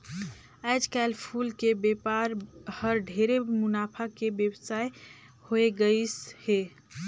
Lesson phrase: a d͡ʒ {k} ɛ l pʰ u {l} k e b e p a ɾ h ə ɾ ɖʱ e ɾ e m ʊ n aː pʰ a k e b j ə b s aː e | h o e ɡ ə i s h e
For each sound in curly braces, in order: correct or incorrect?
correct, correct

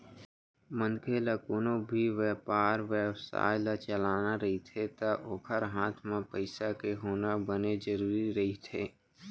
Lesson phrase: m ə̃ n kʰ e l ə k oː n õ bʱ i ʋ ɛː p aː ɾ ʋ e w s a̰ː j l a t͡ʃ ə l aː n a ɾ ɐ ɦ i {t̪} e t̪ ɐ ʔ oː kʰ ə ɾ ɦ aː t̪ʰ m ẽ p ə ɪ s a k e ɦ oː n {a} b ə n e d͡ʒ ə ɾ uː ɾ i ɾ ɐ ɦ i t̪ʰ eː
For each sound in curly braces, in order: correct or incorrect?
incorrect: t̪ʰ, correct

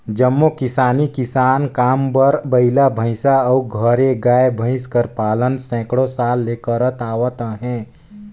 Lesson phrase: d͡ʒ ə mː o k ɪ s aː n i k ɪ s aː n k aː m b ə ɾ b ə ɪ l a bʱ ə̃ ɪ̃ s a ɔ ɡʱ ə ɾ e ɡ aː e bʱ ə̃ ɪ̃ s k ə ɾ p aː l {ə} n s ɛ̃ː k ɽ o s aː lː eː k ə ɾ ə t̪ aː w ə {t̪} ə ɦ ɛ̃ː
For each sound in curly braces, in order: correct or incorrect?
correct, correct

